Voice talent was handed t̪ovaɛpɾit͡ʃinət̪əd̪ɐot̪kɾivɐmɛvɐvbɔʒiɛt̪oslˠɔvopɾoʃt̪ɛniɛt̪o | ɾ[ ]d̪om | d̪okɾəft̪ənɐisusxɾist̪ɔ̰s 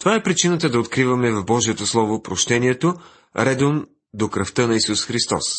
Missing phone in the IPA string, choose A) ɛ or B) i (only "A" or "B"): A